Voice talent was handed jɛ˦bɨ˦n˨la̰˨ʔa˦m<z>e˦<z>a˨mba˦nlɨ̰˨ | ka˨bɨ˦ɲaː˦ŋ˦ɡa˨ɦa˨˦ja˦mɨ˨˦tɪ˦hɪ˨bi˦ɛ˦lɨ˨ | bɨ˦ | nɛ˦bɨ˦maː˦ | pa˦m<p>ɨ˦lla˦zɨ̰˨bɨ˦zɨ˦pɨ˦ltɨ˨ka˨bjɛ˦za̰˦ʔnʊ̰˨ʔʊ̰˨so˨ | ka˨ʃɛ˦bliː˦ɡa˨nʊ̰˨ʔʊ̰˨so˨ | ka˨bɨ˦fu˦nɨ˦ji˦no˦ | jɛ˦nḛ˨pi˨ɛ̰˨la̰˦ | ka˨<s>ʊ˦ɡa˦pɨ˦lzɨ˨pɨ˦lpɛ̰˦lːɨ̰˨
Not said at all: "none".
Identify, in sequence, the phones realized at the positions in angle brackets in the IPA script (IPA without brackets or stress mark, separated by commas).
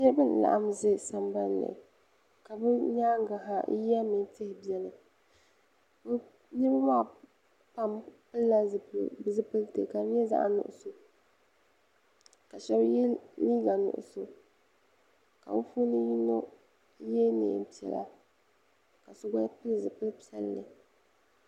z, s, p, s